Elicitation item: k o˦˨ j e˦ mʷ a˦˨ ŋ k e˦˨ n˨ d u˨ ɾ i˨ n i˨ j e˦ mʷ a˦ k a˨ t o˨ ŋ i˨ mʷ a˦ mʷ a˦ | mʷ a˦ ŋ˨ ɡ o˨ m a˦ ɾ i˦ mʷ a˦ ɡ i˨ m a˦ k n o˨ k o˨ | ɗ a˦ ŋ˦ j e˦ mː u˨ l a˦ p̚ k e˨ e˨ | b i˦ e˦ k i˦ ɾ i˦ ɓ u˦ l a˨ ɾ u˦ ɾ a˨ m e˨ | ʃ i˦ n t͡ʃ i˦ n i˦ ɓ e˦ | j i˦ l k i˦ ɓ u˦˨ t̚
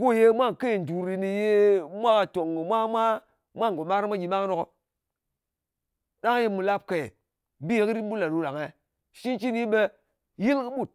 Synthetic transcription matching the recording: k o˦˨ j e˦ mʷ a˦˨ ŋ k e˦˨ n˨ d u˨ ɾ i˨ n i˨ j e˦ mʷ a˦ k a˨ t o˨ ŋ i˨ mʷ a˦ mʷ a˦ | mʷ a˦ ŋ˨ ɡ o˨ m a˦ ɾ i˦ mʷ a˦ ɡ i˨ m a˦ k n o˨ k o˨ | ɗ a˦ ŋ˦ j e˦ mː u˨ l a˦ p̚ k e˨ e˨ | b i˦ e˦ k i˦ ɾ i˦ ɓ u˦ l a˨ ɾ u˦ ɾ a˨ ŋ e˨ | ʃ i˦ n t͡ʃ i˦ n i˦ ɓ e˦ | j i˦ l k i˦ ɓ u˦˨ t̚

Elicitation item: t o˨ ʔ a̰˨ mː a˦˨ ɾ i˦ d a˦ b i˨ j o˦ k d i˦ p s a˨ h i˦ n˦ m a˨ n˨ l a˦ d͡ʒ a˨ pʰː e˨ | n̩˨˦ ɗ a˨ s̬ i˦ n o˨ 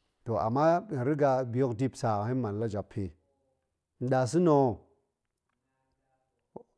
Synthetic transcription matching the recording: t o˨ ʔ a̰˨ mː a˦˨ ɾ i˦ ɡ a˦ b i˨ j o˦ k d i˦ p s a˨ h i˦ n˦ m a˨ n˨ l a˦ d͡ʒ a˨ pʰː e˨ | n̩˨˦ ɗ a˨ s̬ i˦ n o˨

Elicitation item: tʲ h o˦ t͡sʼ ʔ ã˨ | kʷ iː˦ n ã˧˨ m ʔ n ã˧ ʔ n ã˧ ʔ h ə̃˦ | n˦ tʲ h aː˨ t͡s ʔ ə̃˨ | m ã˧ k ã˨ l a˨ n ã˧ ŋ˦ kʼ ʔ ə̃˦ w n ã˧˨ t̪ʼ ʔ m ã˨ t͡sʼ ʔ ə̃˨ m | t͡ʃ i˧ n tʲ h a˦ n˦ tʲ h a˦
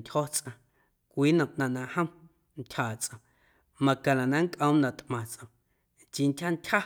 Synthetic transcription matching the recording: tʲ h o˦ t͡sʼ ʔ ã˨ | kʷ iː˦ n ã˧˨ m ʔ n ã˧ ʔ n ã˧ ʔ h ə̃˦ | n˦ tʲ h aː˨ t͡s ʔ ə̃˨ | m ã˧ k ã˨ l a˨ n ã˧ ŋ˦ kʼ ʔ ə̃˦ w n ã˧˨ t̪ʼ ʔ m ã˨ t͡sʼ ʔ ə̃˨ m | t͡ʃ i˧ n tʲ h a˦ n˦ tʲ h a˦

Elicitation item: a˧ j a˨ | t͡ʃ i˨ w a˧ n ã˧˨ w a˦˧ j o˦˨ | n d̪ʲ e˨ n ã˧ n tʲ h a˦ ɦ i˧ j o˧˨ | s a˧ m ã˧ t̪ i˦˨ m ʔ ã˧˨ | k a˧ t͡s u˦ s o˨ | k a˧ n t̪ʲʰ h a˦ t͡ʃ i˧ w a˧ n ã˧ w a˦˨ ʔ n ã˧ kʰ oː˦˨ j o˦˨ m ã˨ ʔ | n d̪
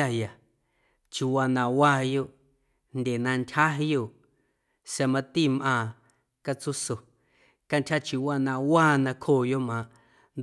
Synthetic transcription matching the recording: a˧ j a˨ | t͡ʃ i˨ w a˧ n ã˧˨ w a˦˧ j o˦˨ | n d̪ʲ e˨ n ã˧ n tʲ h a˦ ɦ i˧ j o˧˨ | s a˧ m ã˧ t̪ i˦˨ m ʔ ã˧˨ | k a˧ t͡s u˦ s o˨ | k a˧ n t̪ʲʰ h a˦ t͡ʃ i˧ w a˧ n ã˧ w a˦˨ n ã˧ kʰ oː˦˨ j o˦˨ m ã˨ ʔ | n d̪

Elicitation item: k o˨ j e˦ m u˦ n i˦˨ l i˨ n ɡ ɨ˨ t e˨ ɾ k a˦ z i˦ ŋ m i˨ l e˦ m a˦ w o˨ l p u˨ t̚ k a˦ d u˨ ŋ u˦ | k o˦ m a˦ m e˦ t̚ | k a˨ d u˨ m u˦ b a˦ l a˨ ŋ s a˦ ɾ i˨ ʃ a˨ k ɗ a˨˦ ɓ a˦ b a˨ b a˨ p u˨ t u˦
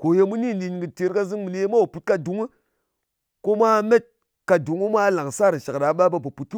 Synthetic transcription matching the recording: k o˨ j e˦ m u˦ n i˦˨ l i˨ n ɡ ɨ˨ t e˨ ɾ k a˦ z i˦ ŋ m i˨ l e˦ m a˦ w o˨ p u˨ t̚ k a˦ d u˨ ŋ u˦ | k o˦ m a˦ m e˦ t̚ | k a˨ d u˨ ŋ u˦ m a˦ l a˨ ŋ s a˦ ɾ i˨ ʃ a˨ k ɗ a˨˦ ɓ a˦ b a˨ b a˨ p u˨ t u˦

